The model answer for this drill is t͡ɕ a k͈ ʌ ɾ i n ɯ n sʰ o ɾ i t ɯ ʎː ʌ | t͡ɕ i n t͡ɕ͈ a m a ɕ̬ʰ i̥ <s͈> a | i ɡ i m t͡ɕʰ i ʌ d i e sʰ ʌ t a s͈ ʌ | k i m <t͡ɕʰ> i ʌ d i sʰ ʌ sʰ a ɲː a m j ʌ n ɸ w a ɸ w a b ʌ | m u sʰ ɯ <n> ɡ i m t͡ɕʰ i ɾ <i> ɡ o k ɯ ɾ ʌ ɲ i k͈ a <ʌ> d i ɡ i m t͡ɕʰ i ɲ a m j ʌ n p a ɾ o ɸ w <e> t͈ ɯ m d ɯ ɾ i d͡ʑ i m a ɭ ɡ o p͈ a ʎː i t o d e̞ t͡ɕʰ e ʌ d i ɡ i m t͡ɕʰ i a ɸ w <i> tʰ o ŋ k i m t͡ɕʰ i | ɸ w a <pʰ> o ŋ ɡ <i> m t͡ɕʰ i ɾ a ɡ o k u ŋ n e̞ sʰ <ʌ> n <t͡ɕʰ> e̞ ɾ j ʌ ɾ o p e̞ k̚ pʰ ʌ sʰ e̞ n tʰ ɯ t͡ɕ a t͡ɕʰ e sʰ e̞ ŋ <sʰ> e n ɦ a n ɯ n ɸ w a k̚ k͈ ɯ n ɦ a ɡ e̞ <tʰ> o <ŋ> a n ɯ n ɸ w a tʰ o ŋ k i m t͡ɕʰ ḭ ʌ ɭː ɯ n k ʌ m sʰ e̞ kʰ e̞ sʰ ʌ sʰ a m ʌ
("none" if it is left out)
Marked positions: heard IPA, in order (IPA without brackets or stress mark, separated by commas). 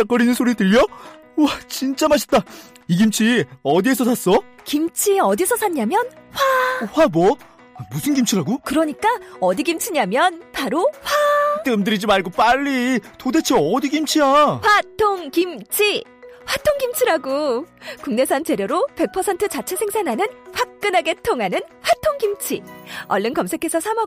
t͈, t͡ɕʰ, n, a, ʌ, a, a, tʰ, i, a, t͡ɕ, sʰ, tʰ, ŋ